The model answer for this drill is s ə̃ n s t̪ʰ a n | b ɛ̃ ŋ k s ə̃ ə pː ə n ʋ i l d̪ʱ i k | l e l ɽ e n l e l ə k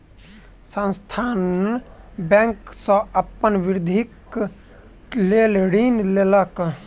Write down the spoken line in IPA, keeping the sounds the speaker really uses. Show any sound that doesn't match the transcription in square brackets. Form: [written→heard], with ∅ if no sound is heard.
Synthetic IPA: s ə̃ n s t̪ʰ a n | b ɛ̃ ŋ k s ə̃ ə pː ə n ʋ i [l→ɾ] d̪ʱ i k | l e l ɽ [e→i] n l e l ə k